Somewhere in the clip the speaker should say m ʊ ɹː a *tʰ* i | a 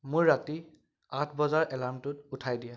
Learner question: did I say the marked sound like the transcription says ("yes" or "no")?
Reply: no